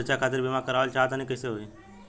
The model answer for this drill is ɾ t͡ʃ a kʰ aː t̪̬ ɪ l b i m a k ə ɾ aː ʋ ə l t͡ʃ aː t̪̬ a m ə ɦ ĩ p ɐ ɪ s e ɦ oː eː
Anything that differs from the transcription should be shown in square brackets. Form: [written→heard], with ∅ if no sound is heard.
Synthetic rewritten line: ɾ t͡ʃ a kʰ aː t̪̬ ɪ [l→ɾ] b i m a k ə ɾ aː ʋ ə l t͡ʃ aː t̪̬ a [m→n] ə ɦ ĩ [p→k] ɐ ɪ s e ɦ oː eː